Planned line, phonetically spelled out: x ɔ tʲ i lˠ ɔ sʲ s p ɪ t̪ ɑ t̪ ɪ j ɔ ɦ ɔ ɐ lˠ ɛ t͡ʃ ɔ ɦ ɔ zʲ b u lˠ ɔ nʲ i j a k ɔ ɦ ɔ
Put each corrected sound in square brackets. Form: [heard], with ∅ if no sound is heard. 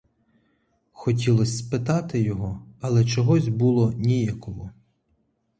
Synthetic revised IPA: x ɔ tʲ i lˠ ɔ sʲ s p ɪ t̪ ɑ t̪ ɪ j ɔ ɦ ɔ ɐ lˠ ɛ t͡ʃ ɔ ɦ ɔ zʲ b u lˠ ɔ nʲ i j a k ɔ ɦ ɔ